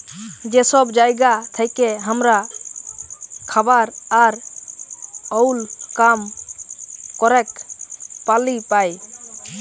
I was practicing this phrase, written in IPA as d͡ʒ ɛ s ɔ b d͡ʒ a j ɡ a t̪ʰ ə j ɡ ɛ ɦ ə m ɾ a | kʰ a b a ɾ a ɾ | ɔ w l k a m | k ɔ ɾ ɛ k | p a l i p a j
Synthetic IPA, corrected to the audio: d͡ʒ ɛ s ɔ b d͡ʒ a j ɡ a t̪ʰ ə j k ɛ ɦ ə m ɾ a | kʰ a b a ɾ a ɾ | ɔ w l k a m | k ɔ ɾ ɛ k | p a l i p a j

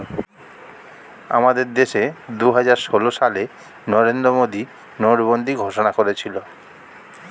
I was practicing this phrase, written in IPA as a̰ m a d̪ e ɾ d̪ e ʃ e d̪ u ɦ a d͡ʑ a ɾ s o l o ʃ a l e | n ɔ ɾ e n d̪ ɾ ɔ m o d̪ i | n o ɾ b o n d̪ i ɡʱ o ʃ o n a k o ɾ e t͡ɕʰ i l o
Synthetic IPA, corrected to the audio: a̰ m a d̪ e ɾ d̪ e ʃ e d̪ u ɦ a d͡ʑ a ɾ ʃ o l o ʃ a l e | n ɔ ɾ e n d̪ ɾ o m o d̪ i | n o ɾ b o n d̪ i ɡʱ o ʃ o n a k o ɾ e t͡ɕʰ i l o

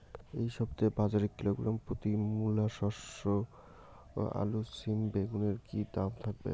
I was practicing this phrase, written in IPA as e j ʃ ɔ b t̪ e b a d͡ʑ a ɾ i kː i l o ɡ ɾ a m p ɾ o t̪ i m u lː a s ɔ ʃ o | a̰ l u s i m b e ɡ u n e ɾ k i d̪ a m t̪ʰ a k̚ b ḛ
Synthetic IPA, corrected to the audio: e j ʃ ɔ b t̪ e b a d͡ʑ a ɾ i kː i l o ɡ ɾ a m p ɾ o t̪ i m u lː a ʃ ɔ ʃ o | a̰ l u s i m b e ɡ u n e ɾ k i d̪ a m t̪ʰ a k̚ b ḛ

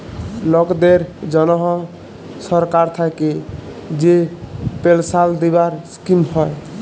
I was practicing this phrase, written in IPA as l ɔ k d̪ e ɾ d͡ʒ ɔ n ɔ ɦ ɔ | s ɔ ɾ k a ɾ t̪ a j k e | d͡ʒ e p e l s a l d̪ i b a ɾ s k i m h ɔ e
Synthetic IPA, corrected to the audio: l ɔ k d̪ e ɾ d͡ʒ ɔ n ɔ ɦ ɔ | s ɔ ɾ k a ɾ t̪ʰ a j k e | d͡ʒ e p e l s a l d̪ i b a ɾ s k i m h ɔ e

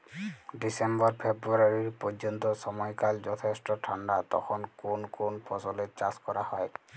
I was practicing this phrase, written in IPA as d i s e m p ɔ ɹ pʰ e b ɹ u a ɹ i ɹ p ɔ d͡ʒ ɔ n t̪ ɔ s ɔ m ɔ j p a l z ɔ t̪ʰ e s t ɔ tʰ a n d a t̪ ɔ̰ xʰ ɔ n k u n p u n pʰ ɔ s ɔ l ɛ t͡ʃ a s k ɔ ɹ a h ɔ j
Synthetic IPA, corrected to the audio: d i s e m b ɔ ɹ pʰ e b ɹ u a ɹ i ɹ p ɔ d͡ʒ ɔ n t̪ ɔ s ɔ m ɔ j k a l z ɔ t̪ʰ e s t ɔ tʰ a n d a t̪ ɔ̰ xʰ ɔ n k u n k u n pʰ ɔ s ɔ l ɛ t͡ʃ a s k ɔ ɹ a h ɔ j

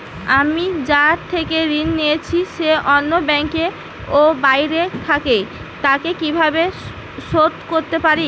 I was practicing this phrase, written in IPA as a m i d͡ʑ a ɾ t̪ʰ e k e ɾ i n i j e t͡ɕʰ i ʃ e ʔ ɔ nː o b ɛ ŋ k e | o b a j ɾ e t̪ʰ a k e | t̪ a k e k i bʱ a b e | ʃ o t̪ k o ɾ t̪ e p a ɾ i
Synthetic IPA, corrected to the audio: a m i d͡ʑ a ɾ t̪ʰ e k e ɾ i nː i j e t͡ɕʰ i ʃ e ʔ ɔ nː o b ɛ ŋ k e | o b a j ɾ e t̪ʰ a k e | t̪ a k e k i bʱ a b e | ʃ o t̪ k o ɾ t̪ e p a ɾ i

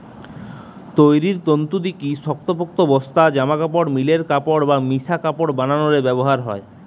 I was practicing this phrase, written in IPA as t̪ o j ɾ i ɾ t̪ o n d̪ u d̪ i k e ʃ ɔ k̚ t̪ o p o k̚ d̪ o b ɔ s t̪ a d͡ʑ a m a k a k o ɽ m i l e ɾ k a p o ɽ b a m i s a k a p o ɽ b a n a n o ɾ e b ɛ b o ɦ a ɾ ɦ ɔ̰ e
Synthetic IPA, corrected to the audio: t̪ o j ɾ i ɾ t̪ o n t̪ u d̪ i k i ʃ ɔ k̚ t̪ o p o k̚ t̪ o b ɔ s t̪ a d͡ʑ a m a k a p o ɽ m i l e ɾ k a p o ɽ b a m i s a k a p o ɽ b a n a n o ɾ e b ɛ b o ɦ a ɾ ɦ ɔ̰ e

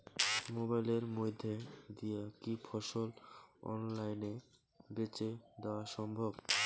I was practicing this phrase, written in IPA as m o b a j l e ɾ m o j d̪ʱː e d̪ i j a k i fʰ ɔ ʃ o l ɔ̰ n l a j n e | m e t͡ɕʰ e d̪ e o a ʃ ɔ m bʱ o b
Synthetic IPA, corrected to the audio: m o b a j l e ɾ m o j d̪ʱː e d̪ i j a k i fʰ ɔ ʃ o l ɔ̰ n l a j n e | b e t͡ɕ e d̪ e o a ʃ ɔ m bʱ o b

